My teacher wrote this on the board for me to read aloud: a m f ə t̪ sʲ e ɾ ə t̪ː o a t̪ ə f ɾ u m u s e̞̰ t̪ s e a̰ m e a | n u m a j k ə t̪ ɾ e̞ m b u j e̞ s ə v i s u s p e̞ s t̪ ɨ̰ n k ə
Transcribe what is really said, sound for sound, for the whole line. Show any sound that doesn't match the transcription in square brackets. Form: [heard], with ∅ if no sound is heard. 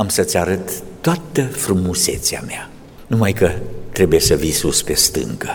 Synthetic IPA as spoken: a m [s] ə t̪ sʲ [a] ɾ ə t̪ː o a t̪ ə f ɾ u m u s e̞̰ t̪ s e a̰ m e a | n u m a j k ə t̪ ɾ e̞ [∅] b u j e̞ s ə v i s u s p e̞ s t̪ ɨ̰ [ŋ] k ə